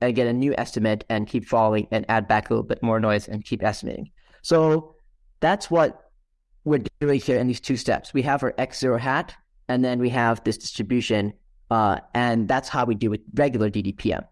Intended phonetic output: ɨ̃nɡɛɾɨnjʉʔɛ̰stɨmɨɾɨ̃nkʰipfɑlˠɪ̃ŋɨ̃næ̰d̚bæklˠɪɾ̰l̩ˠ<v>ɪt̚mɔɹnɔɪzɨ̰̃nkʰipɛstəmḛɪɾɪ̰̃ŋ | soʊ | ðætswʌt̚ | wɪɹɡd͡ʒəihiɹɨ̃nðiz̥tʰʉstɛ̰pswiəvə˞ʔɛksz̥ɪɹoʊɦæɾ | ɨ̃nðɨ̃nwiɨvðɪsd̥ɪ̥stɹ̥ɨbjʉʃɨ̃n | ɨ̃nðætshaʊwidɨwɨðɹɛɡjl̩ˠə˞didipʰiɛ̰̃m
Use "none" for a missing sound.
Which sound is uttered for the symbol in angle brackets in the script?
b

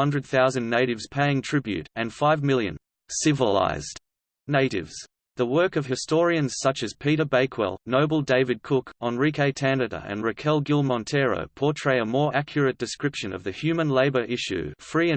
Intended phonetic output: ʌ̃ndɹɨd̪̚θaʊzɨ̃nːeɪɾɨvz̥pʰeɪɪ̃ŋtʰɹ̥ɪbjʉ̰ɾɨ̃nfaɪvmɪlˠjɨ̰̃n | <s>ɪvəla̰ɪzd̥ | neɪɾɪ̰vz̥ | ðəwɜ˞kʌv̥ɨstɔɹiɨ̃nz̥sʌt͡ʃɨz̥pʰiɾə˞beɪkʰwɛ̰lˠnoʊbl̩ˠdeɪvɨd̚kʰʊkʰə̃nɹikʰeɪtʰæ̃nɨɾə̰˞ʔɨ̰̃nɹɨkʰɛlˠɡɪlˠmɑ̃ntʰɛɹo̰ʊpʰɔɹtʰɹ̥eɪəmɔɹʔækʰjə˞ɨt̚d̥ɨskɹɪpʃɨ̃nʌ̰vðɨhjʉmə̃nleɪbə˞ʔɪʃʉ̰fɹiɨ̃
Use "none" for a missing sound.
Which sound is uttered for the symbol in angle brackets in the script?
s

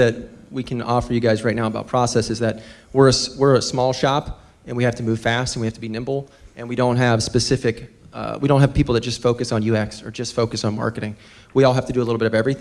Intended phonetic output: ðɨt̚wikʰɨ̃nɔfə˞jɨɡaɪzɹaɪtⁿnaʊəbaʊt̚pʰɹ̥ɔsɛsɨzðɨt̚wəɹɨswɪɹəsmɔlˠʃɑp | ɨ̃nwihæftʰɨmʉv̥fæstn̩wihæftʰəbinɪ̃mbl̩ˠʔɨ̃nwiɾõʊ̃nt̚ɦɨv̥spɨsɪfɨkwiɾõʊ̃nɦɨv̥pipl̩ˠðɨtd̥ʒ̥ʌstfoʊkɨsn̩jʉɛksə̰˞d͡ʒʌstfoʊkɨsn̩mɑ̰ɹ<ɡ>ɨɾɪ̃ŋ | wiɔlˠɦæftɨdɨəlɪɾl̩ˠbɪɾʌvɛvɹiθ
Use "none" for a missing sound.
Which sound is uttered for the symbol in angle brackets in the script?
k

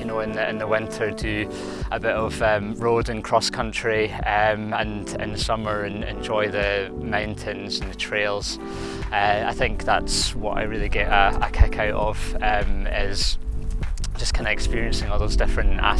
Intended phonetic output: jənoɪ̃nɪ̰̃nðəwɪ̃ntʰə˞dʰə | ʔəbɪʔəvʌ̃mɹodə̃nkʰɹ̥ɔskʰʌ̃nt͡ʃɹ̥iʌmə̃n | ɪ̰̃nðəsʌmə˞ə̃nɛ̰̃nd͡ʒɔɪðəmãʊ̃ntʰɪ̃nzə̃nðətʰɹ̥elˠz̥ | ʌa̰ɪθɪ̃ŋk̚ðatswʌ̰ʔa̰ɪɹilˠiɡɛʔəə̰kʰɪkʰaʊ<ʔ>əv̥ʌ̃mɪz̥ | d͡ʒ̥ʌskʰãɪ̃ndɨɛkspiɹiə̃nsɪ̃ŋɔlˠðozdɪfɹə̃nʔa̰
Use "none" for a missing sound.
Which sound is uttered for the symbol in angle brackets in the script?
ʔ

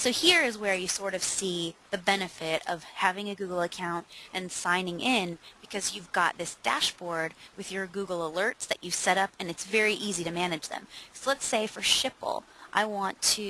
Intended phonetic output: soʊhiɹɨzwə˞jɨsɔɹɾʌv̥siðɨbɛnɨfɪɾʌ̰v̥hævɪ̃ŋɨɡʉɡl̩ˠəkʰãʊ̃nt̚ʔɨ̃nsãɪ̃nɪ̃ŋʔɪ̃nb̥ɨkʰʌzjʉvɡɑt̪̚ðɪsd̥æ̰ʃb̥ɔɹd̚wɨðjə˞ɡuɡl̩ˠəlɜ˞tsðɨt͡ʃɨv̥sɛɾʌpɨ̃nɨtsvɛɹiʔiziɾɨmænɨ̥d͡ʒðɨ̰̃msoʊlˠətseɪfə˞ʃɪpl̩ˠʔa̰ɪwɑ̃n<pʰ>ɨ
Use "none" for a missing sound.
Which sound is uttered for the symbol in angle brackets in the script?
tʰ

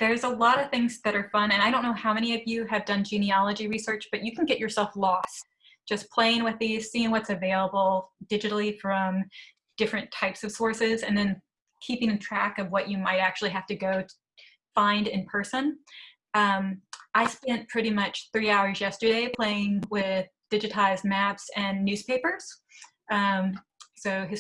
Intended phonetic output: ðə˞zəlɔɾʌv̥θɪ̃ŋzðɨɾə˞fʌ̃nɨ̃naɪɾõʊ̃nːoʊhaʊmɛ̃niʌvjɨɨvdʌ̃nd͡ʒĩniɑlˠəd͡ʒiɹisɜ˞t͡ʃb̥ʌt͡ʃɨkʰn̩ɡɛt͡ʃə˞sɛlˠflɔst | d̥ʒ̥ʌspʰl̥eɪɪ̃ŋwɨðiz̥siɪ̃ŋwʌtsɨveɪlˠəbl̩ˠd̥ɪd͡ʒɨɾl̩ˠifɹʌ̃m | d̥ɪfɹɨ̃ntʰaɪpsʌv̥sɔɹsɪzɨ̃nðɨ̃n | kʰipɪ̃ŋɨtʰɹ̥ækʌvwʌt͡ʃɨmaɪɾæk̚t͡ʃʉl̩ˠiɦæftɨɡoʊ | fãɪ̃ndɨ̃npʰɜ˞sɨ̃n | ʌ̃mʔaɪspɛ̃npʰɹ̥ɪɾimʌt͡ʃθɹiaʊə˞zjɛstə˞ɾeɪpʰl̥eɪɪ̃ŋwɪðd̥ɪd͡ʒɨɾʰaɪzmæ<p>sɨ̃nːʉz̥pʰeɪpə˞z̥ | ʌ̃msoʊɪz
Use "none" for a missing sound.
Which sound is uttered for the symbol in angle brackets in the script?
p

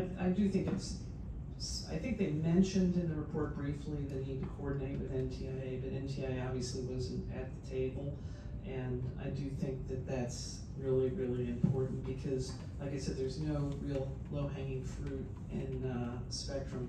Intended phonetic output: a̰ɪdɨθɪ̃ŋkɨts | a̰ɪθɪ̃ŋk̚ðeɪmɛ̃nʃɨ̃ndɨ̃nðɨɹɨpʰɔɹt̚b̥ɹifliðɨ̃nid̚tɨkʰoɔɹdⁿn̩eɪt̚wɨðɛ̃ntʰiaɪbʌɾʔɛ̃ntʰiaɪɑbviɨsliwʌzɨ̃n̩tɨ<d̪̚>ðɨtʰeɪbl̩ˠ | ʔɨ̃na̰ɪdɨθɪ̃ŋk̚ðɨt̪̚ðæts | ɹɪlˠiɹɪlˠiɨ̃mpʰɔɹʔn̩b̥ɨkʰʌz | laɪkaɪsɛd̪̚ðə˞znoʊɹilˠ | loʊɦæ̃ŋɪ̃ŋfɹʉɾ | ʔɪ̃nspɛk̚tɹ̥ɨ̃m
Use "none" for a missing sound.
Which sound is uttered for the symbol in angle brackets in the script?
t̪̚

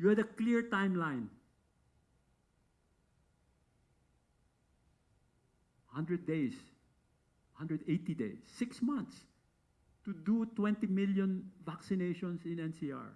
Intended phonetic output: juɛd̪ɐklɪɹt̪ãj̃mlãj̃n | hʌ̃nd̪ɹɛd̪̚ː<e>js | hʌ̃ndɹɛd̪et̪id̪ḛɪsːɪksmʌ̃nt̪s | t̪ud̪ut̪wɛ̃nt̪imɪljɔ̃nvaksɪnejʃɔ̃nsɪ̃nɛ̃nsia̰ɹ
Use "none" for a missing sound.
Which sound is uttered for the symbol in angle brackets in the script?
e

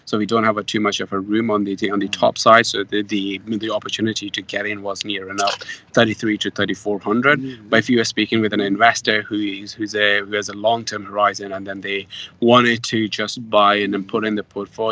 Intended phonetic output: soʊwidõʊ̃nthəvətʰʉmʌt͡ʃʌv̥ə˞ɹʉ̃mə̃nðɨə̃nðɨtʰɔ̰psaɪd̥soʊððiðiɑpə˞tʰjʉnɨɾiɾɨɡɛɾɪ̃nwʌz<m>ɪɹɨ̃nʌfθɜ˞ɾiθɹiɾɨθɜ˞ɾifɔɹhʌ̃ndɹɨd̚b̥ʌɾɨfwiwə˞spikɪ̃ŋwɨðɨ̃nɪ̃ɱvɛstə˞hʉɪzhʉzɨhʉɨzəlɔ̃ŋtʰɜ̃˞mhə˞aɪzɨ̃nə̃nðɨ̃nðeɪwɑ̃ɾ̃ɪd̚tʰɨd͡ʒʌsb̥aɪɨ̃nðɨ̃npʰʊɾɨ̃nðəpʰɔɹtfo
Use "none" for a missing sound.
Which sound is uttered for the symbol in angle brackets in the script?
n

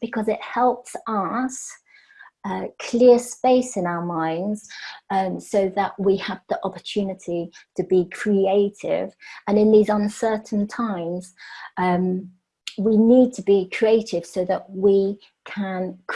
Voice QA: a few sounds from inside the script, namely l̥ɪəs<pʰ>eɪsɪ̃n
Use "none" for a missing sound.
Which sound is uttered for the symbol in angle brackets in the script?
p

